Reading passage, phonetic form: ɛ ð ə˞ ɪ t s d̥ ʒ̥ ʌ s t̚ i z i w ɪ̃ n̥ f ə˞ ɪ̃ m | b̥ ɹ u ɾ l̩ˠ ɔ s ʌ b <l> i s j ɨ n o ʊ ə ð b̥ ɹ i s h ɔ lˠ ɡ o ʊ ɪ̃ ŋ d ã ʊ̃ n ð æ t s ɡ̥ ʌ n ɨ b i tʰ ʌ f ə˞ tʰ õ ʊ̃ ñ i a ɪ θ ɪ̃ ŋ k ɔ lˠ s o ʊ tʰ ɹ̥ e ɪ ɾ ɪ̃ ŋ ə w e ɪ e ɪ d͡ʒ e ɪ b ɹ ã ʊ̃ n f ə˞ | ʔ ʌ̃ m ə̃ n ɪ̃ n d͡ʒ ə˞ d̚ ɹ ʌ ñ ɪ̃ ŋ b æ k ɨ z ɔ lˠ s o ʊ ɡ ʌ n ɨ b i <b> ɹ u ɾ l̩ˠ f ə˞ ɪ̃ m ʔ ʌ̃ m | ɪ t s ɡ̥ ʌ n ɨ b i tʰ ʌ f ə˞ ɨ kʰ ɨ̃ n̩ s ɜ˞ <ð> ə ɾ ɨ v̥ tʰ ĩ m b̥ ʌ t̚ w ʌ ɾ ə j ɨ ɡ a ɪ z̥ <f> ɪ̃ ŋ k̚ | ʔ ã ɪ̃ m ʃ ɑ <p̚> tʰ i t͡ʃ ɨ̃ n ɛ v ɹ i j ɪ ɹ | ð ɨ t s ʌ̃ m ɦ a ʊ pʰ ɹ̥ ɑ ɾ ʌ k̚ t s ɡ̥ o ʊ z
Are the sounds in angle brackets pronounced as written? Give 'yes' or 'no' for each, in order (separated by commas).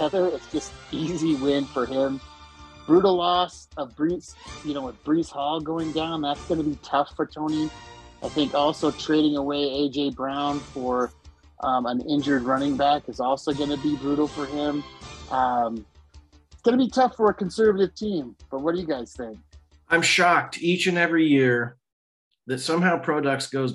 no, yes, no, no, no